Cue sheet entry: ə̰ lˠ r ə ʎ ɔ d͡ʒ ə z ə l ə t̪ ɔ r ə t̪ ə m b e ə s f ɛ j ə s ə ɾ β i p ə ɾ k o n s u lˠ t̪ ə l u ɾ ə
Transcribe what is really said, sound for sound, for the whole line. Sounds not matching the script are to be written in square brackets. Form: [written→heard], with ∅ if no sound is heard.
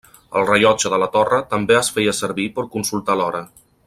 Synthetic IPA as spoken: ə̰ lˠ r ə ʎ ɔ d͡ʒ ə [z→ð] ə l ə t̪ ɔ r ə t̪ ə m b e ə s f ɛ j ə s ə ɾ β i p ə ɾ k [o→u] n s u lˠ t̪ [ə→a] l [u→ɔ] ɾ ə